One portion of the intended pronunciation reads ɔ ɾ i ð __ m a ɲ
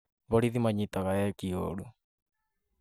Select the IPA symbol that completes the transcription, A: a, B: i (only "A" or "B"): B